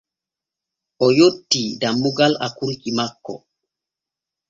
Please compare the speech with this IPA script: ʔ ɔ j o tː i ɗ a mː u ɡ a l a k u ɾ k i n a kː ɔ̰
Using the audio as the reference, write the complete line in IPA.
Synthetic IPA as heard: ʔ ɔ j o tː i d a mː u ɡ a l a k u ɾ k i m a kː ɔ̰